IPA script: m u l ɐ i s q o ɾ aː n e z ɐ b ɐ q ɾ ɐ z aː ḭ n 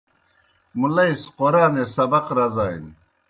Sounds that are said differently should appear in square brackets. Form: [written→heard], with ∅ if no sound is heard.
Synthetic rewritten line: m u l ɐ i s q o ɾ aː n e [z→s] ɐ b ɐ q ɾ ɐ z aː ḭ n